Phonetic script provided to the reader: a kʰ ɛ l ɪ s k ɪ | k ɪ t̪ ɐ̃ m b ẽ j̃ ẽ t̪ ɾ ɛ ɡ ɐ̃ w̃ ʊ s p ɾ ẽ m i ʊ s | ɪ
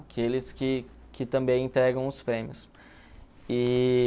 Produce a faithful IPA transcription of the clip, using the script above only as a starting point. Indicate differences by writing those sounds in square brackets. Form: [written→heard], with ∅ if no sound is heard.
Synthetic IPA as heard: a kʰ [ɛ→e] l ɪ s k ɪ | k ɪ t̪ ɐ̃ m b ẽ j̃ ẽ t̪ ɾ ɛ ɡ ɐ̃ w̃ ʊ s p ɾ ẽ m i ʊ s | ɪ